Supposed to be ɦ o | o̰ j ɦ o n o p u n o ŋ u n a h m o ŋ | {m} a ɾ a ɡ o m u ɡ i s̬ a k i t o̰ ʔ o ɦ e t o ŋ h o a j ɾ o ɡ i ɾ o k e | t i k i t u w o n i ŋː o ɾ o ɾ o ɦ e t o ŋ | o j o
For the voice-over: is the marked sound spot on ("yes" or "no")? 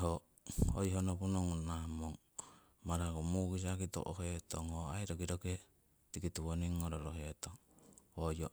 yes